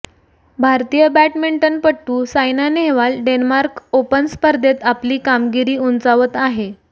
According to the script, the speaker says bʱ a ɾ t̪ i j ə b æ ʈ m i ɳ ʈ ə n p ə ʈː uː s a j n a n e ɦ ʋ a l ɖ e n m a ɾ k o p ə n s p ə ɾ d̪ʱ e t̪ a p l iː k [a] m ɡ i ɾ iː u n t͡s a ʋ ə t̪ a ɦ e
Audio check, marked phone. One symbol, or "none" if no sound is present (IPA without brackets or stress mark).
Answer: a